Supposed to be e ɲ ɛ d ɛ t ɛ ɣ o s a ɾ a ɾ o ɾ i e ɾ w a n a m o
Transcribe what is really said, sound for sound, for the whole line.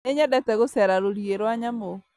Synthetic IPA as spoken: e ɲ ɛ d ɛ t ɛ ɣ o s ɛ ɾ a ɾ o ɾ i e ɾ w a ɲ a m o